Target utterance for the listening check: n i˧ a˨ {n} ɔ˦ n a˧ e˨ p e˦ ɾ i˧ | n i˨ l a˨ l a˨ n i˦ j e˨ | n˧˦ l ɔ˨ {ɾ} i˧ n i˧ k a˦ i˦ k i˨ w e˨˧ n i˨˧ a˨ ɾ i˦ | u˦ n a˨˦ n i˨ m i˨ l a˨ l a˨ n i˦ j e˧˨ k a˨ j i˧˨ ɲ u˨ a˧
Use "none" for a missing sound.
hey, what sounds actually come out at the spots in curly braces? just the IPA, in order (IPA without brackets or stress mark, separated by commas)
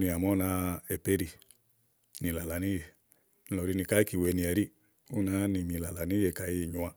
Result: m, ɾ